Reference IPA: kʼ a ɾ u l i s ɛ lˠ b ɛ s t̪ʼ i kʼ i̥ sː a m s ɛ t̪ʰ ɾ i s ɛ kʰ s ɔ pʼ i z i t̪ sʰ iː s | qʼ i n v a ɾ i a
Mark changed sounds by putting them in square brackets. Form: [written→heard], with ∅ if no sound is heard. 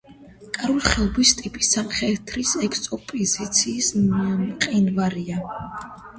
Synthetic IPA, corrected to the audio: kʼ a ɾ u l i [s→χ] ɛ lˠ b [ɛ→i] s t̪ʼ i [kʼ→pʼ] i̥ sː a m [s→χ] ɛ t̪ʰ ɾ i s ɛ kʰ s ɔ pʼ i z i t̪ sʰ iː s | qʼ i n v a ɾ i a